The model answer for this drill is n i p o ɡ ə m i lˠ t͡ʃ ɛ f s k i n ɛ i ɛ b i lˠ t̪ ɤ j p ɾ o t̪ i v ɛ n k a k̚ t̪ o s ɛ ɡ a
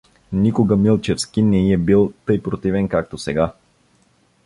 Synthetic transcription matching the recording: n i k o ɡ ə m i lˠ t͡ʃ ɛ f s k i n ɛ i ɛ b i lˠ t̪ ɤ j p ɾ o t̪ i v ɛ n k a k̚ t̪ o s ɛ ɡ a